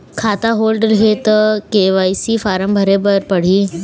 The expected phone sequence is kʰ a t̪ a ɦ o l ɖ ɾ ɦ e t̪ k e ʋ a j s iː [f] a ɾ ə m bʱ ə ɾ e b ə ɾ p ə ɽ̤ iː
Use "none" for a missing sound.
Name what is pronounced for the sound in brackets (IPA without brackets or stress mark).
f